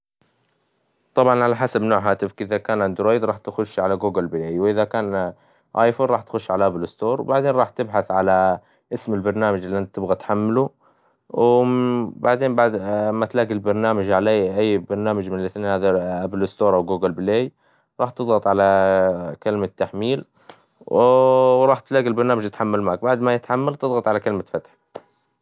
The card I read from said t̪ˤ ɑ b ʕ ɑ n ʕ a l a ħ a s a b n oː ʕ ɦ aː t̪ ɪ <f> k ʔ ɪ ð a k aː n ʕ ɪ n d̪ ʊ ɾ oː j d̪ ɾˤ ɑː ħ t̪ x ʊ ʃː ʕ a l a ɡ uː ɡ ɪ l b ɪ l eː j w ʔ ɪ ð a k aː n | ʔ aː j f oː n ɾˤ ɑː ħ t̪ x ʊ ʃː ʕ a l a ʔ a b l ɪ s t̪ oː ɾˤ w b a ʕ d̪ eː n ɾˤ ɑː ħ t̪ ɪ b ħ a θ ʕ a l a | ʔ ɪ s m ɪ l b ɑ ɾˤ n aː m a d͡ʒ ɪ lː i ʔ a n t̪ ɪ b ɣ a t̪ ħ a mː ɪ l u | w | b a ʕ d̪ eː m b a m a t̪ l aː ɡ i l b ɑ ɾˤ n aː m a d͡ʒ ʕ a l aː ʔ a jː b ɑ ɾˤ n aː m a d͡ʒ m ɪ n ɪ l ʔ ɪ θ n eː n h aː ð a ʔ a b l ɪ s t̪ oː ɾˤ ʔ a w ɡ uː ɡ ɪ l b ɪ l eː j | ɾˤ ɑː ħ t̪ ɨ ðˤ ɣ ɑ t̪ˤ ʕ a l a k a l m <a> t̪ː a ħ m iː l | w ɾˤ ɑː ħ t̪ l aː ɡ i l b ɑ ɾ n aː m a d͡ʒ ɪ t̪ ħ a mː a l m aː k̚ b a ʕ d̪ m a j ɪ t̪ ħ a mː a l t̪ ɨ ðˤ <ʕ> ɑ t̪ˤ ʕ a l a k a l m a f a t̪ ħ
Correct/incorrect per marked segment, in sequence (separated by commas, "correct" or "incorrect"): correct, correct, incorrect